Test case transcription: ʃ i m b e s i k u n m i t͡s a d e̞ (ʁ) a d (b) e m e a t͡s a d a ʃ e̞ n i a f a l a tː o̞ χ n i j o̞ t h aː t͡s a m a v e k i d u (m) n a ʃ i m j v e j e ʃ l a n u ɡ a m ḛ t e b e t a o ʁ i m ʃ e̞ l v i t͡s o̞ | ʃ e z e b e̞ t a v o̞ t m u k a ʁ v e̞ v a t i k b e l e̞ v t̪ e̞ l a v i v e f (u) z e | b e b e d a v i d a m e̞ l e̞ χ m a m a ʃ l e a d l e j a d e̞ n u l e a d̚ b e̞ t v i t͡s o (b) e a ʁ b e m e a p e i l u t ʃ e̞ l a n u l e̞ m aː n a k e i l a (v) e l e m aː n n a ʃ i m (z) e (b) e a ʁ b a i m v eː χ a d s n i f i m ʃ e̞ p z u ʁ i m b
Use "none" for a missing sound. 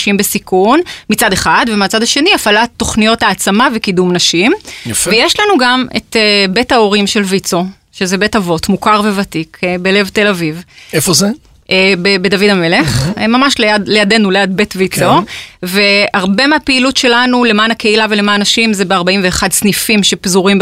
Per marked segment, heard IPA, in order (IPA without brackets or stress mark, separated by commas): χ, v, m, o, v, v, z, b